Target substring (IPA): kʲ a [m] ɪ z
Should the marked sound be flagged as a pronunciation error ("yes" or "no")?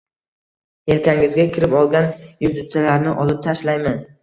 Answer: yes